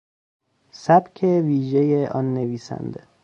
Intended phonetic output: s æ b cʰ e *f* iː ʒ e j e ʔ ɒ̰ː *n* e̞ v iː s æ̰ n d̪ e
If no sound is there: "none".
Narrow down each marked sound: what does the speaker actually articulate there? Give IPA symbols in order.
v, nː

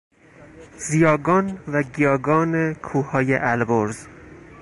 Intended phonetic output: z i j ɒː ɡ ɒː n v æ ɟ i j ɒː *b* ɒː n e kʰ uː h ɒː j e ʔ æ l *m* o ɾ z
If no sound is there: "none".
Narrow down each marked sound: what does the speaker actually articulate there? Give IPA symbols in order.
ɡ, b

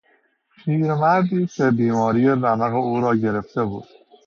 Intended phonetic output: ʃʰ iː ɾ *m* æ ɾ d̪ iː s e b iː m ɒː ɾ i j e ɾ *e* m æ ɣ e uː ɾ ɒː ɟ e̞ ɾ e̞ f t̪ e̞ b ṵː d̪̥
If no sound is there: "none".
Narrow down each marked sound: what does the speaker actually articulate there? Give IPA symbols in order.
m, æ

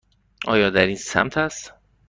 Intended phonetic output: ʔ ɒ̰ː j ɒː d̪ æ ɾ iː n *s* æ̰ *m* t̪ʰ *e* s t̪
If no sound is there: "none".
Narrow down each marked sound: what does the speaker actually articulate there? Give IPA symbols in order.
s, m, æ

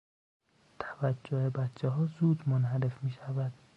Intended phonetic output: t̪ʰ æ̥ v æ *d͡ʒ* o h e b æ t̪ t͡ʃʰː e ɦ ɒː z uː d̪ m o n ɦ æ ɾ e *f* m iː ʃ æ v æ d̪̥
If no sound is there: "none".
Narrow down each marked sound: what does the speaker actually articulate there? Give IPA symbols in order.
d͡ʒː, f

